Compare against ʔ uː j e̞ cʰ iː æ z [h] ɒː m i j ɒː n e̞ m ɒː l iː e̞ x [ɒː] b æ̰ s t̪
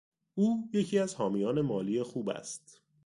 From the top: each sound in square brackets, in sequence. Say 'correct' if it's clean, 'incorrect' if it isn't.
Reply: correct, incorrect

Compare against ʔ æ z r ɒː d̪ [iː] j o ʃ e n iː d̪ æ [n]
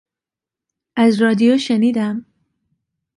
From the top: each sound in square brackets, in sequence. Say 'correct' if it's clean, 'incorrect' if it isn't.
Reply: incorrect, incorrect

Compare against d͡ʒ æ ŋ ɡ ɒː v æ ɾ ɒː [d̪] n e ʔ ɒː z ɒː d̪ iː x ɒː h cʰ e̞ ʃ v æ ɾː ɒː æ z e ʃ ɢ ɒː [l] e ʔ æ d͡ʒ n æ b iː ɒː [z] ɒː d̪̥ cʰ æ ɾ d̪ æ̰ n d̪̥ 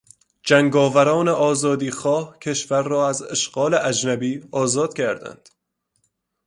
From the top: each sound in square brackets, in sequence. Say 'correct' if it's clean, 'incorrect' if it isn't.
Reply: incorrect, correct, correct

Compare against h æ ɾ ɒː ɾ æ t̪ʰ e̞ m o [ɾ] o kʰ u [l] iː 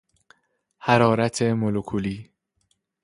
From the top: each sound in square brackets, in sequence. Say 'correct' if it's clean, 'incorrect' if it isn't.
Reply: incorrect, correct

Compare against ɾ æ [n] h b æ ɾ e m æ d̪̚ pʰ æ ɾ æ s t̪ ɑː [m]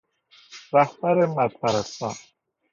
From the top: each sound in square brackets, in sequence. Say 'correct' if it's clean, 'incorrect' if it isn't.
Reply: incorrect, incorrect

